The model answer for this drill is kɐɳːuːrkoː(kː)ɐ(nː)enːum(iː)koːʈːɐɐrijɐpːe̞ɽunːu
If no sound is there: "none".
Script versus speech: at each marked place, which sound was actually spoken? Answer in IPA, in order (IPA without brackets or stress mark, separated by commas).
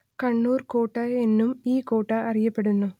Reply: ʈː, none, iː